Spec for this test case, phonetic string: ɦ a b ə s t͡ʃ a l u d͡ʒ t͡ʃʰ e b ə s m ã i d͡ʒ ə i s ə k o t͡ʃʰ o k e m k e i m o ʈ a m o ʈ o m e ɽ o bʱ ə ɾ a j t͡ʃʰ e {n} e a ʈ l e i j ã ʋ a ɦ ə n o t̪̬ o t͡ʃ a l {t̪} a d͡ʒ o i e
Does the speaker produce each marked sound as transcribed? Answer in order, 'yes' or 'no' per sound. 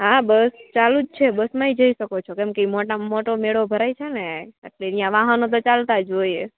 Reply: yes, yes

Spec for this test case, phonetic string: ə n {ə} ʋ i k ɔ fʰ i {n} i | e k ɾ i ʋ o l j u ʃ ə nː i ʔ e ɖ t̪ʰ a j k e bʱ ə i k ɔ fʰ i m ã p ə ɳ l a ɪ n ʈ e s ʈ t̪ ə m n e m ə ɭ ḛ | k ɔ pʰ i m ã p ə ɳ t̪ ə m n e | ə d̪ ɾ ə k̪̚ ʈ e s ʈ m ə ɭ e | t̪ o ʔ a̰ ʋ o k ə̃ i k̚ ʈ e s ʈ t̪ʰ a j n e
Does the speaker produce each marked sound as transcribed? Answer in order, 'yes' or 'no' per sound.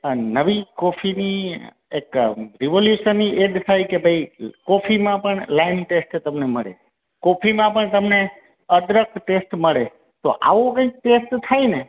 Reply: yes, yes

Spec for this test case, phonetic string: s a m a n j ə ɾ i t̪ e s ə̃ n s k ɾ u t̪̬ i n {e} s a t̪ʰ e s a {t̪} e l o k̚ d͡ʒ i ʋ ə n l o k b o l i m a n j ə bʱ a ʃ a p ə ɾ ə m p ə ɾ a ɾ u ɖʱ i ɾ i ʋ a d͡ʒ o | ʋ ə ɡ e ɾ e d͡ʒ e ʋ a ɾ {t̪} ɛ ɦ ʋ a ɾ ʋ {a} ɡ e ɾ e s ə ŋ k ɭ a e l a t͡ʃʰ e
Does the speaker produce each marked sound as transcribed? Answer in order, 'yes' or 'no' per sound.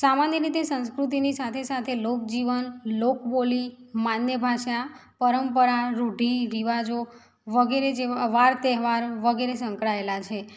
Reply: no, no, yes, no

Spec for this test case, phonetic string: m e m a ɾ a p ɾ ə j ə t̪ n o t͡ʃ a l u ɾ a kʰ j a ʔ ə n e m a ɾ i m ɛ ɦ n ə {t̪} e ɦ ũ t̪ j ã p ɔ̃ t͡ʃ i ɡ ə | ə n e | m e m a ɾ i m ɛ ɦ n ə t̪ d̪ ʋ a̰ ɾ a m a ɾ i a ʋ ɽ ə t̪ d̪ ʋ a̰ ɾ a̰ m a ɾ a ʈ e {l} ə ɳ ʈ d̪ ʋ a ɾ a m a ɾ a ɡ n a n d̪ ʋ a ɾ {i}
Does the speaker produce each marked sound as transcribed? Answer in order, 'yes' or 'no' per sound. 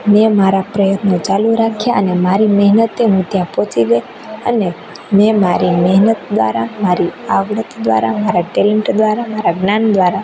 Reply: yes, yes, no

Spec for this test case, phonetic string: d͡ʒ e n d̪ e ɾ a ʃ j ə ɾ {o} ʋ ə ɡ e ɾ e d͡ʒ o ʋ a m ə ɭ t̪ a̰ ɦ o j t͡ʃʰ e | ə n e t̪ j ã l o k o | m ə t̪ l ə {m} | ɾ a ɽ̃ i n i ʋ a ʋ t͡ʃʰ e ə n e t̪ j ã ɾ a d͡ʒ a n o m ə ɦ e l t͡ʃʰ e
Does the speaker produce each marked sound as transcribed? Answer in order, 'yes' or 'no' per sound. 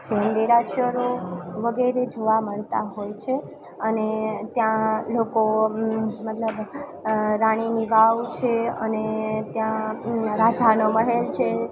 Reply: yes, no

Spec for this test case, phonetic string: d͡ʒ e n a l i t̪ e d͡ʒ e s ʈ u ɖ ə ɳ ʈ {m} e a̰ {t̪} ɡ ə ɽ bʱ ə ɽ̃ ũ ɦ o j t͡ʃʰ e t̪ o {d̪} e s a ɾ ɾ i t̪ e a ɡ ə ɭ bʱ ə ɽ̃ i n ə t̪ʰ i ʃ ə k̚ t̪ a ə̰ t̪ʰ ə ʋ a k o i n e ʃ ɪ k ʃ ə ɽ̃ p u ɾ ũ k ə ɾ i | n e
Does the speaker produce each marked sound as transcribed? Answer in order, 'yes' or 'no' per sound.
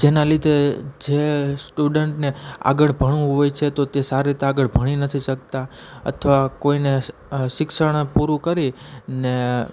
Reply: no, no, no

